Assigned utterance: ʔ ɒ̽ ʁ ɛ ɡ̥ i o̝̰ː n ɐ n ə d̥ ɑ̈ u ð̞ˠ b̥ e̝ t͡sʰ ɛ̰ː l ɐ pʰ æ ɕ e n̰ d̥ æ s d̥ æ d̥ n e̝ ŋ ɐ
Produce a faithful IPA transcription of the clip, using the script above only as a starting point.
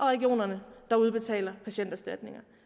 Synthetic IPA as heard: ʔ ɒ̽ ʁ ɛ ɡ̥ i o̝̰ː n ɐ n ə d̥ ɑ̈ u ð̞ˠ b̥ e̝ t͡sʰ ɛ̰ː l ɐ pʰ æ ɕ e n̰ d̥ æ s d̥ æ d̥ n e̝ ŋ ɐ